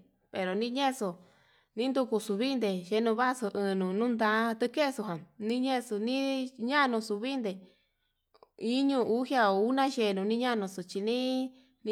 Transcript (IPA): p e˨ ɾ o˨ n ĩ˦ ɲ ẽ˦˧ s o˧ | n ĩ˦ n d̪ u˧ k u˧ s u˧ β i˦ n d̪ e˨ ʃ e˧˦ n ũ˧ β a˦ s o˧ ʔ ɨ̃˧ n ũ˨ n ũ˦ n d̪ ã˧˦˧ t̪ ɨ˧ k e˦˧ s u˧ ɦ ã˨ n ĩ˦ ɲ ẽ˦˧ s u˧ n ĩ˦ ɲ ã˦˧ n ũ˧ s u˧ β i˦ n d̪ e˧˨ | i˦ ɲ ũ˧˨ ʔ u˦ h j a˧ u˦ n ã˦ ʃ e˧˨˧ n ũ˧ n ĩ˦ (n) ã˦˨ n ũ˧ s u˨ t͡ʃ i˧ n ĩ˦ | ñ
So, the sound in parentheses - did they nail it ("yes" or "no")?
no